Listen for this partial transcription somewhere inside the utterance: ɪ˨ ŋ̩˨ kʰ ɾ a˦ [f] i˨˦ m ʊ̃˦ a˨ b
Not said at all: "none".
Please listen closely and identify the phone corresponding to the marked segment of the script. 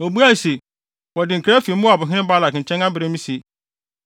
f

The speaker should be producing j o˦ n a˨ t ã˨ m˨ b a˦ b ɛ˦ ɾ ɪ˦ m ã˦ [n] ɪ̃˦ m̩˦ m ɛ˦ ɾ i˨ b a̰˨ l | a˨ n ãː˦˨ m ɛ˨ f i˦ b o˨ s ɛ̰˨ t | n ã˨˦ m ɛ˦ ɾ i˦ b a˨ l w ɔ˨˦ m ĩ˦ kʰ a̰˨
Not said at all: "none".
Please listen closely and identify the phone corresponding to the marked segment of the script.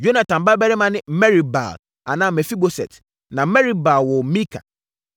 n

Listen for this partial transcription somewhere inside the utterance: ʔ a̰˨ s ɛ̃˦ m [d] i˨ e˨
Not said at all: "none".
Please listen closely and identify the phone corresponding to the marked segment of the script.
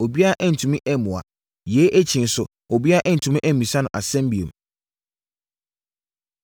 b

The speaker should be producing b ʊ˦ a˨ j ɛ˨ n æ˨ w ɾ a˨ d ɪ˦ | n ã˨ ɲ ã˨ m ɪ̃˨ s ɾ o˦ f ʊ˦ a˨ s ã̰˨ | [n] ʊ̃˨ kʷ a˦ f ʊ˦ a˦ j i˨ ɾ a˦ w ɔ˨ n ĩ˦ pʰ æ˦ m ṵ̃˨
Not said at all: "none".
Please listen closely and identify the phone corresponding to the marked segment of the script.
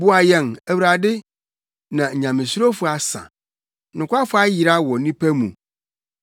n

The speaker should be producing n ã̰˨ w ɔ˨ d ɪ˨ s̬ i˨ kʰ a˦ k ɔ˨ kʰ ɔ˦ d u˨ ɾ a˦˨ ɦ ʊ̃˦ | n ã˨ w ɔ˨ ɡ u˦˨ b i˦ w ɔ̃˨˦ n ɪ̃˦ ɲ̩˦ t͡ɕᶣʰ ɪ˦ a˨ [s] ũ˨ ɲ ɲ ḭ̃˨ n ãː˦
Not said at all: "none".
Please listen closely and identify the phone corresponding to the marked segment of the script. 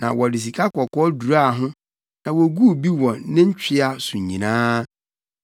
s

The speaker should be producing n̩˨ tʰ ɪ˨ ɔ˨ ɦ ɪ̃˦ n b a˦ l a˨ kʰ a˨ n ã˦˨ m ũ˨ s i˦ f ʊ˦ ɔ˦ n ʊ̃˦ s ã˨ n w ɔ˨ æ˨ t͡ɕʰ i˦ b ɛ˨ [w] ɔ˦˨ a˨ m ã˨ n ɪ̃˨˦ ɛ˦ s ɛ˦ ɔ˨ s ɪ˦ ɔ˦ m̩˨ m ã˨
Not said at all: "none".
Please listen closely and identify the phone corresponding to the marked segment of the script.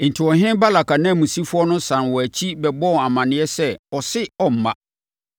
b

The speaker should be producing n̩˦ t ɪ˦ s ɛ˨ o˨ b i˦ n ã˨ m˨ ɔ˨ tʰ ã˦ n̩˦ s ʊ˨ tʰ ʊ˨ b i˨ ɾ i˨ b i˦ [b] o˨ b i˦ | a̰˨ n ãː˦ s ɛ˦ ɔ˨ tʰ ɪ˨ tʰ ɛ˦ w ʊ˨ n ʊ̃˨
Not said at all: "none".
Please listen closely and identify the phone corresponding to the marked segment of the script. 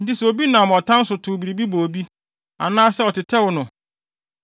b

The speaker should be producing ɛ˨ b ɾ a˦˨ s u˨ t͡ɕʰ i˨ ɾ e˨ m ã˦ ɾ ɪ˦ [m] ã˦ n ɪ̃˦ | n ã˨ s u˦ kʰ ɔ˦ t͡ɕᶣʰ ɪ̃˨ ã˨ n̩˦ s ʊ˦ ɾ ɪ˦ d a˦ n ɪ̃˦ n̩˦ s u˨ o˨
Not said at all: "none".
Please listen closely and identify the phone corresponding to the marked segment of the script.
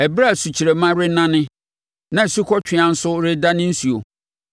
n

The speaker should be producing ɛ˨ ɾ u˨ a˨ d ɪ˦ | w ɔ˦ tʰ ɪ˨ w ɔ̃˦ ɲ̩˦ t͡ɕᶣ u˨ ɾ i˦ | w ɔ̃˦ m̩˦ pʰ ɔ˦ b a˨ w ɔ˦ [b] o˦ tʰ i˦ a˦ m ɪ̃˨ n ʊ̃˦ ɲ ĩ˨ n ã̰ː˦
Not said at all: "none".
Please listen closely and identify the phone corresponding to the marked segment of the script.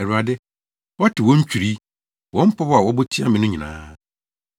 b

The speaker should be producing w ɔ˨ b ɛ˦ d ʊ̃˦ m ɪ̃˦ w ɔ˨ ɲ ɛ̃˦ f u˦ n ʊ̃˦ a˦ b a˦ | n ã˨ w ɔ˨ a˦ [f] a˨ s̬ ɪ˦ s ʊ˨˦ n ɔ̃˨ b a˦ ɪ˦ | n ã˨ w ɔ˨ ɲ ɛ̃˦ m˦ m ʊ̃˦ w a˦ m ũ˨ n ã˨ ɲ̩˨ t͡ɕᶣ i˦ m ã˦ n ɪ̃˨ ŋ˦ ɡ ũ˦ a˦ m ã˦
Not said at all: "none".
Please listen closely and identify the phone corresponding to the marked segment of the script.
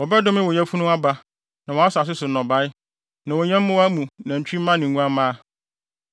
s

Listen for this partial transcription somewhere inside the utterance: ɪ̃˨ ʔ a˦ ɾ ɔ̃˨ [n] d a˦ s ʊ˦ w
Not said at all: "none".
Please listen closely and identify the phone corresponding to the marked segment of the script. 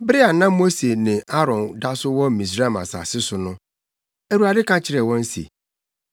n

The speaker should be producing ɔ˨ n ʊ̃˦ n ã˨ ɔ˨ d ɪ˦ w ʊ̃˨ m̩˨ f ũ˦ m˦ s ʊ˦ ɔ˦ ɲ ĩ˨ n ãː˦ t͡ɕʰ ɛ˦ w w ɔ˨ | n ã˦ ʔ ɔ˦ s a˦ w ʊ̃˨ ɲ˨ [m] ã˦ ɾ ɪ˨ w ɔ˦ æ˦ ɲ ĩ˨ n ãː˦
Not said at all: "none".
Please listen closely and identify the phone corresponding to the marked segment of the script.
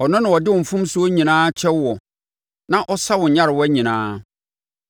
ɲ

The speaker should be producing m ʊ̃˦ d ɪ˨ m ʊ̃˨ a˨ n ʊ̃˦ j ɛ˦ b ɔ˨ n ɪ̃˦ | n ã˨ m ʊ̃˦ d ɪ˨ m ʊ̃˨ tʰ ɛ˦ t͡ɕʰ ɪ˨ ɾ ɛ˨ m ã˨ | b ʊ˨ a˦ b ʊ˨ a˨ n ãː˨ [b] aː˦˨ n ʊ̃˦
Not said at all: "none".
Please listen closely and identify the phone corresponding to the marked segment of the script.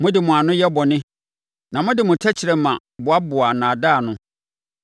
d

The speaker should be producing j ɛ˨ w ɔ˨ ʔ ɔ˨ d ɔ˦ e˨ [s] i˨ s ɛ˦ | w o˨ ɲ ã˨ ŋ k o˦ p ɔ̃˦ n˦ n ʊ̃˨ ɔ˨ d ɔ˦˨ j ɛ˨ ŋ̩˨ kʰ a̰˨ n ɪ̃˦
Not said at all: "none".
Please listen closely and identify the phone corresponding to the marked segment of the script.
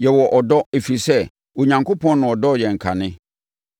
f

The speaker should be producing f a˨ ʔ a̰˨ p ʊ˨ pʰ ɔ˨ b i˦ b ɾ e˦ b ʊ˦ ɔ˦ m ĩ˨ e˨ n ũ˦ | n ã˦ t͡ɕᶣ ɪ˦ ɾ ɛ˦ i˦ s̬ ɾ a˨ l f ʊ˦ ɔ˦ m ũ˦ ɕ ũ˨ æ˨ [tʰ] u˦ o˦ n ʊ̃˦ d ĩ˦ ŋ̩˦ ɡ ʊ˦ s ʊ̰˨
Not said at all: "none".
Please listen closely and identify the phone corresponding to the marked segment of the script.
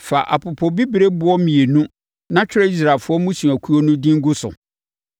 kʰ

